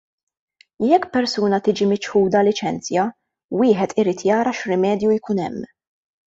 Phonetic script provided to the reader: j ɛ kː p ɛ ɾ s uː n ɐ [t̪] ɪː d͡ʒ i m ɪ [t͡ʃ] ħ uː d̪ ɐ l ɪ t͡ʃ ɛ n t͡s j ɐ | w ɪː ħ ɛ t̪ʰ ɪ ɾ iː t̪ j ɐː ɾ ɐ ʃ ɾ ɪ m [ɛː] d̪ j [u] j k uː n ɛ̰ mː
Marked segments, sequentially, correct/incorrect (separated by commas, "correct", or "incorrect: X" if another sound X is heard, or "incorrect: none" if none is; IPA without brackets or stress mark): correct, correct, correct, correct